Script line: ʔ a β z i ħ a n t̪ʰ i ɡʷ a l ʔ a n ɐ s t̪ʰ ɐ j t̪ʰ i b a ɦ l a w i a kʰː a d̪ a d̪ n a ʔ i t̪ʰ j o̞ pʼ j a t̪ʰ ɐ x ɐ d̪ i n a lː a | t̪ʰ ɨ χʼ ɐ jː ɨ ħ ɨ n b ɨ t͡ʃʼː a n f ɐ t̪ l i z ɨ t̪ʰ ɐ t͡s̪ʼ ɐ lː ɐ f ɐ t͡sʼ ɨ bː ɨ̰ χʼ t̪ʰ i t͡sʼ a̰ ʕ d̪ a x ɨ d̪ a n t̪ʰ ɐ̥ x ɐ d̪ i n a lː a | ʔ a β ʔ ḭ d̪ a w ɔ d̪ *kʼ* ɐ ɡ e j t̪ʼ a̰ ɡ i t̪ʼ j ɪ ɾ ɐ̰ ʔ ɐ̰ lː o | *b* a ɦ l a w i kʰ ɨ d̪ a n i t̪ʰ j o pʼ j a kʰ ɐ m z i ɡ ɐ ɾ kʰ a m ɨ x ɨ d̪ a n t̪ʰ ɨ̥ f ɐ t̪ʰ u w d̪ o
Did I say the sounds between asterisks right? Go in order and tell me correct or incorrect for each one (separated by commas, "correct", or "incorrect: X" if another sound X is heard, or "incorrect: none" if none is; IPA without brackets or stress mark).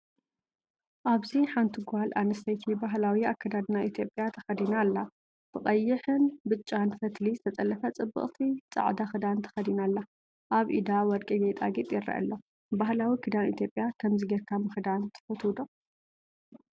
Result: correct, correct